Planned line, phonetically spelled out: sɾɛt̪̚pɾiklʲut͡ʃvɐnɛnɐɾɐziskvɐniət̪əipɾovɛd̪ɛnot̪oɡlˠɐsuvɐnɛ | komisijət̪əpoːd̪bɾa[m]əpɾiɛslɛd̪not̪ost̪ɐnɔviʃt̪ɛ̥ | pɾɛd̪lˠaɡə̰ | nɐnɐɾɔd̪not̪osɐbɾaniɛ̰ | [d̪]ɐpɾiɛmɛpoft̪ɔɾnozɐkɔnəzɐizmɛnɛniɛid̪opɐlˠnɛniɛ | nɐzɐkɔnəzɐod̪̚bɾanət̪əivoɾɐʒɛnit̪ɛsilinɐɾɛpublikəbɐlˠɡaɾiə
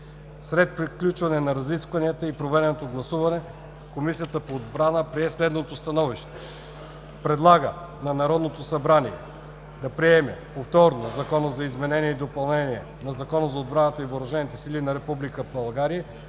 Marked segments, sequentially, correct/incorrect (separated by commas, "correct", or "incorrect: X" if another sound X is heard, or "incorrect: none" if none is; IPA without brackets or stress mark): incorrect: n, correct